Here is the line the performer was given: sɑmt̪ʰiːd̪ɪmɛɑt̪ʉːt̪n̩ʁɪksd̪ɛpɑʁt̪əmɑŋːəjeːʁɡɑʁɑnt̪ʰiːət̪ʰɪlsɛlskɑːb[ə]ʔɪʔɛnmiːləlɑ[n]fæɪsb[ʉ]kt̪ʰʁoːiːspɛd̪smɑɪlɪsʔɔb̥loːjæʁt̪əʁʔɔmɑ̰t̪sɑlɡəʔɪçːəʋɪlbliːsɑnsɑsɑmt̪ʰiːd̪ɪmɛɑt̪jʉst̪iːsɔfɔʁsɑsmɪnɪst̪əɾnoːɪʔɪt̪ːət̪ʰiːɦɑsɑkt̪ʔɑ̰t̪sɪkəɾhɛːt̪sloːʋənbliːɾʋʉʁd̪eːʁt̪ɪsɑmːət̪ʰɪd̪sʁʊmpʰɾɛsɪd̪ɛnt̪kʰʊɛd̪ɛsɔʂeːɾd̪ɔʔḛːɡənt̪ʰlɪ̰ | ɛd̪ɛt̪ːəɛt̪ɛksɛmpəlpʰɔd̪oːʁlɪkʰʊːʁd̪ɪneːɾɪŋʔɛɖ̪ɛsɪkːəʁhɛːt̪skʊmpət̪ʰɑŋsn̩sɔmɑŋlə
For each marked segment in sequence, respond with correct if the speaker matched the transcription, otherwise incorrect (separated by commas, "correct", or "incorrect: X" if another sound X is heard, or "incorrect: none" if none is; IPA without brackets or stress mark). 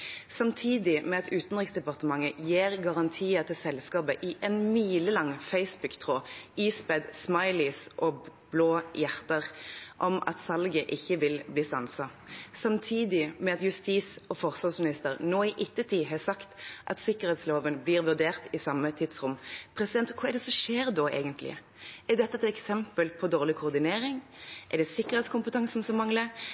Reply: correct, incorrect: ŋ, correct